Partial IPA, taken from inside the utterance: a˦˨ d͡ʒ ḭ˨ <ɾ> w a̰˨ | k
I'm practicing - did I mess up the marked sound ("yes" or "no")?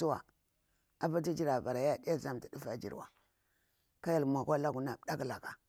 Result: no